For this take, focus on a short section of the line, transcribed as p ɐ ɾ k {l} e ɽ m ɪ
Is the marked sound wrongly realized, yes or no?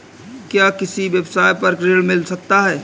yes